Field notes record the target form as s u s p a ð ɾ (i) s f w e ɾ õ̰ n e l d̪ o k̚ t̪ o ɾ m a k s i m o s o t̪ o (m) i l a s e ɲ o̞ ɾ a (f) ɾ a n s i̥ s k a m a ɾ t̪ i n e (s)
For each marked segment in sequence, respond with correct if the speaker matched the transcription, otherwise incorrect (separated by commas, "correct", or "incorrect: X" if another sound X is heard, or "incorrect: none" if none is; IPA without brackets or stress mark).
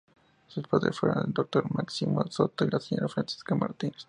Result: incorrect: e, incorrect: none, correct, correct